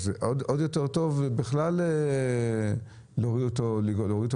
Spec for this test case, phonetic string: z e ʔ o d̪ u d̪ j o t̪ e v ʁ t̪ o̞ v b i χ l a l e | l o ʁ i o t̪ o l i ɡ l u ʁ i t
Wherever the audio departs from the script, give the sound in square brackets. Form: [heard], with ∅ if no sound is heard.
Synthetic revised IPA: z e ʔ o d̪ [o] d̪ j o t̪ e [∅] ʁ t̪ o̞ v b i χ l a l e | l o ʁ i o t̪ o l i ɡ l [o] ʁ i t